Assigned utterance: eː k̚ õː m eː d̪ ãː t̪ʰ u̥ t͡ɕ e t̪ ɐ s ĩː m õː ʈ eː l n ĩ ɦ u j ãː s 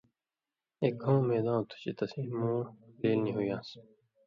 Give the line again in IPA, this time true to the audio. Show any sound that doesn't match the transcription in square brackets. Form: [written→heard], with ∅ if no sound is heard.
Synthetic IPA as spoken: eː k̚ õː m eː d̪ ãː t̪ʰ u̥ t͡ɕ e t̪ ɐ s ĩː m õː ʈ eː l n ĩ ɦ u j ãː s